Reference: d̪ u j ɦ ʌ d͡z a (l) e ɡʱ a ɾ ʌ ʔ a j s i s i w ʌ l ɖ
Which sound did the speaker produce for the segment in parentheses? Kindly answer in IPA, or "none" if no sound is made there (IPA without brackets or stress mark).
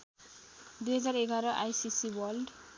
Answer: ɾ